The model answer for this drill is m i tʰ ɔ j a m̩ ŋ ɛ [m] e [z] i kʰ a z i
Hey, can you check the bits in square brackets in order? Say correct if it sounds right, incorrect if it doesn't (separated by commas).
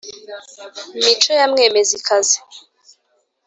correct, correct